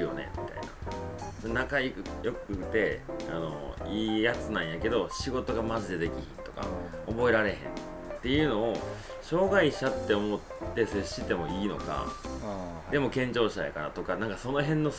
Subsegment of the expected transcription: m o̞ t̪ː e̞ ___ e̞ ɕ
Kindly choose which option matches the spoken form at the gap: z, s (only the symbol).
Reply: s